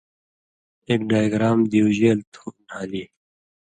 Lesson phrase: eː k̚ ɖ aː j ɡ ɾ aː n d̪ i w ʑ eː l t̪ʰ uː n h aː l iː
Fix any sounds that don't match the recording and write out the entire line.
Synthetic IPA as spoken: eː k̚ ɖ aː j ɡ ɾ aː m d̪ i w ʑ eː l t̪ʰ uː n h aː l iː